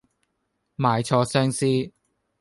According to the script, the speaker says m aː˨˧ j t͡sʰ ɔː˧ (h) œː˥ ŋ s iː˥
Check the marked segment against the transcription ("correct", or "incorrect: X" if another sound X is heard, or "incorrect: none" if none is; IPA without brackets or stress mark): incorrect: s